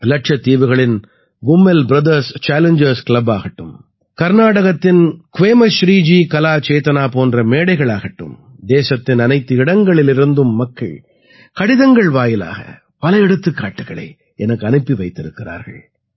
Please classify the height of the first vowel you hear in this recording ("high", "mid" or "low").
low